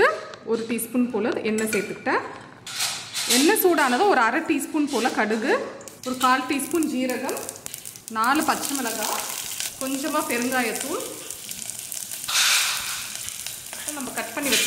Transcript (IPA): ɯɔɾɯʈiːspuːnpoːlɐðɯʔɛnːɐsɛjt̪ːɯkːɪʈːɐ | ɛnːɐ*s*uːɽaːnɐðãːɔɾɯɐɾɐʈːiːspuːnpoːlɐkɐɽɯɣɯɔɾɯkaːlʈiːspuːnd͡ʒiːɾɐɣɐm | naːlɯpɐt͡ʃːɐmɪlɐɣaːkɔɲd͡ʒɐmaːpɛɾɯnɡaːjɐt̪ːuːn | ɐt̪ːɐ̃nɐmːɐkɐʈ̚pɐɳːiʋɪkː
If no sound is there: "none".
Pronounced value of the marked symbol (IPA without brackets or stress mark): s